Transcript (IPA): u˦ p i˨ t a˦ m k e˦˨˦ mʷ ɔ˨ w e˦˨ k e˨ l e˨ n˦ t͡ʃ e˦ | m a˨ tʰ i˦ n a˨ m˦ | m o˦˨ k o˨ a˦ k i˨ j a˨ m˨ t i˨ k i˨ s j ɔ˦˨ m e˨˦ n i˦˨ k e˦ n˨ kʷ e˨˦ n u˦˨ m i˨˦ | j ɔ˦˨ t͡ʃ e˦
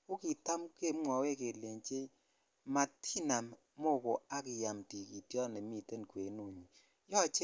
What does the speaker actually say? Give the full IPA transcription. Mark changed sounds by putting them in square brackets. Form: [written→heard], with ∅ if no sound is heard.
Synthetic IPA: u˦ [p→k] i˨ t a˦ m k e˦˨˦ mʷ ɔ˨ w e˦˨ k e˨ l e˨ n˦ t͡ʃ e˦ | m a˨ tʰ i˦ n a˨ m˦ | m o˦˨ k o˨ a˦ k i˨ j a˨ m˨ t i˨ k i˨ [s→t] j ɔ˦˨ [m→n] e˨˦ [n→m] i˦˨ [k→t] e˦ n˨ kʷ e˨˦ n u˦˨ [m→ɲ] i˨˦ | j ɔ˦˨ t͡ʃ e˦

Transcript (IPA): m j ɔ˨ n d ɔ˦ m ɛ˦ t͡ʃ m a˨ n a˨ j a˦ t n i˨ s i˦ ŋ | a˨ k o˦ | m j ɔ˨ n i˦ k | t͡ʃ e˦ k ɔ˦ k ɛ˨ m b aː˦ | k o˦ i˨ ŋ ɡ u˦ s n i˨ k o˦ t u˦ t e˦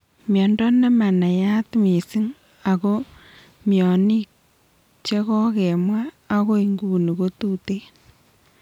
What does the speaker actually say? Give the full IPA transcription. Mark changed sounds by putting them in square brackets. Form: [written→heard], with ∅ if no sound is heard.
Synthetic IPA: m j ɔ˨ n d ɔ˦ [m→n] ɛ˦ [t͡ʃ→∅] m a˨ n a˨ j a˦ t [n→m] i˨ s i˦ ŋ | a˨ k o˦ | m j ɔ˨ n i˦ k | t͡ʃ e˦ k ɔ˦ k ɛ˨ m [b→w] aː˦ | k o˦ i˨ ŋ ɡ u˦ [s→∅] n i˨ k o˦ t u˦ t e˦

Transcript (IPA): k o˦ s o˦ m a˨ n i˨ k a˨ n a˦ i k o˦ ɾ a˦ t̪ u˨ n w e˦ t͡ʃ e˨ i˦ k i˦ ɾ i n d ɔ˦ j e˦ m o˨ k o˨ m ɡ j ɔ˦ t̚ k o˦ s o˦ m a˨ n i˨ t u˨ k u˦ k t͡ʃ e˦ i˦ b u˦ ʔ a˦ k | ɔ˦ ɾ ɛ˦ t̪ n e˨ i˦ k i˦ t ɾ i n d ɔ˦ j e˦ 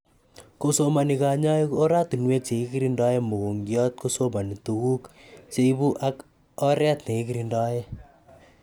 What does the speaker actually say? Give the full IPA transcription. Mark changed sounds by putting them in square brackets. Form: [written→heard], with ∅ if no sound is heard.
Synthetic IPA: k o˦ s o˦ m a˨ n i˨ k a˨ [n→ɲ] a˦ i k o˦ ɾ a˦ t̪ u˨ n w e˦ t͡ʃ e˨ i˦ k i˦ ɾ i n d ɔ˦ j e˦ m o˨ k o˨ [m→ŋ] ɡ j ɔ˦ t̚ k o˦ s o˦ m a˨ n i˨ t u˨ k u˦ k t͡ʃ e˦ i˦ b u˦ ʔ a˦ k | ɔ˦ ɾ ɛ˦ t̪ n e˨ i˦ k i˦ [t→∅] ɾ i n d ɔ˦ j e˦

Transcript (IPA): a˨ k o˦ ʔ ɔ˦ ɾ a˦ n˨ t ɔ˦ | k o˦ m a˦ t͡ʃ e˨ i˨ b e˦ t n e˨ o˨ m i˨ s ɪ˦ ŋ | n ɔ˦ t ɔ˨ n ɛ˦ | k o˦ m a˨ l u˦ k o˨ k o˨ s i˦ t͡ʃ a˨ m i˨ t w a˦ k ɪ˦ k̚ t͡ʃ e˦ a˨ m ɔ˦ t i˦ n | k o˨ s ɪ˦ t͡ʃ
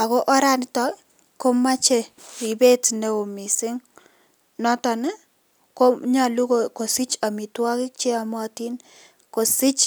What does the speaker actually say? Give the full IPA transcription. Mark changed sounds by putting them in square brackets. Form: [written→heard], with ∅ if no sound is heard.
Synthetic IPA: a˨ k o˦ ʔ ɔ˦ ɾ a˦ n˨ t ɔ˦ | k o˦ m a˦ t͡ʃ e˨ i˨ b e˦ t n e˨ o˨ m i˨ s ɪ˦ ŋ | n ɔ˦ t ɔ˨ n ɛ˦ | k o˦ [m→ɲ] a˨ l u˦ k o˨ k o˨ s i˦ t͡ʃ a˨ m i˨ t w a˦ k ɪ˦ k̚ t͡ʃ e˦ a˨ m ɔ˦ t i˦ n | k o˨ s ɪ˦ t͡ʃ

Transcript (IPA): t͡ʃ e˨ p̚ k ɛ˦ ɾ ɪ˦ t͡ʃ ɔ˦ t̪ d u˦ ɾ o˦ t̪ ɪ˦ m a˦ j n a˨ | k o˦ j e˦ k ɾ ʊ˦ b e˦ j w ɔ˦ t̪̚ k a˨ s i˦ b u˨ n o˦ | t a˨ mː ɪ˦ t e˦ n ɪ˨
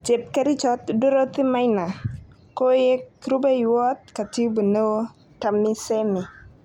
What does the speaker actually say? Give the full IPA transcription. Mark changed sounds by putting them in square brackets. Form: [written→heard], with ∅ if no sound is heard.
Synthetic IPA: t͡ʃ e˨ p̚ k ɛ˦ ɾ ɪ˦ t͡ʃ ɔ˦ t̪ d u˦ ɾ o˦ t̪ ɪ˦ m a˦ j n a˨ | k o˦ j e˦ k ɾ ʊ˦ b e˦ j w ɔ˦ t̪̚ k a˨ [s→t] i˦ b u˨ n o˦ | t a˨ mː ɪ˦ [t→s] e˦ [n→m] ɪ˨

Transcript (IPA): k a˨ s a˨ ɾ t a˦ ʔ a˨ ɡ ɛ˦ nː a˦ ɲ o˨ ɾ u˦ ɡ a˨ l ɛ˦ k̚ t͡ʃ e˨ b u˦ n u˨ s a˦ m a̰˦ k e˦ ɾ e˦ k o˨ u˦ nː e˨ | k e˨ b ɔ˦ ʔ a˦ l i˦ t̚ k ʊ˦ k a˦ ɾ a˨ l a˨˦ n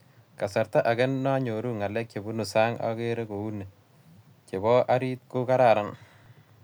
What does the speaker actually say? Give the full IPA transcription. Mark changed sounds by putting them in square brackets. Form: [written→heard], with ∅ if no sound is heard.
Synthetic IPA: k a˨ s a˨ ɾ t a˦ ʔ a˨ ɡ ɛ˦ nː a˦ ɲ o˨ ɾ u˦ [ɡ→ŋ] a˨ l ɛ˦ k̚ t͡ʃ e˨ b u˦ n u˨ s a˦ [m→ŋ] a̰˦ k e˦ ɾ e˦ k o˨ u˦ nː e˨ | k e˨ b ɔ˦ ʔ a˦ [l→ɾ] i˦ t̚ k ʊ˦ k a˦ ɾ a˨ [l→ɾ] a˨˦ n

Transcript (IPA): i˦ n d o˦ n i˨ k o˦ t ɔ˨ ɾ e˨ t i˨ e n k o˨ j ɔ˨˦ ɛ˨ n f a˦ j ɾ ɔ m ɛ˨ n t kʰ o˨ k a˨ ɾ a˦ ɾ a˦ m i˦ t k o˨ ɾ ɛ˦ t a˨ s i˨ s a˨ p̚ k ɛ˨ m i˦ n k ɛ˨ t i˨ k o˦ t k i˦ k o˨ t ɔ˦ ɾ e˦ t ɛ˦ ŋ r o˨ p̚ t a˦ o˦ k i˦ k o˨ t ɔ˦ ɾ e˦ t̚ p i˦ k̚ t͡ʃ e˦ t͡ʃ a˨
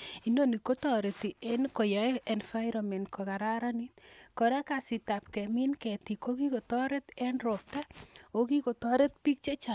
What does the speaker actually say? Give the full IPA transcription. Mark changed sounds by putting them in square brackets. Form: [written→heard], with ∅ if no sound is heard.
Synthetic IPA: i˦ n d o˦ n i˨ k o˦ t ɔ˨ ɾ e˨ t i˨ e n k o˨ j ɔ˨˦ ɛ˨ n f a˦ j ɾ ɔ m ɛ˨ n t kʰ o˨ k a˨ ɾ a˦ ɾ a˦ [m→n] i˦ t k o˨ ɾ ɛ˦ [t→k] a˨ s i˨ [s→t] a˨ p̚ k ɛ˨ m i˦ n k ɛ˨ t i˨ k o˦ [t→∅] k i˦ k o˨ t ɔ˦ ɾ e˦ t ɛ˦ [ŋ→n] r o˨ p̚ t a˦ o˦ k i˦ k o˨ t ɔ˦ ɾ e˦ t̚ p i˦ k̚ t͡ʃ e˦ t͡ʃ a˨

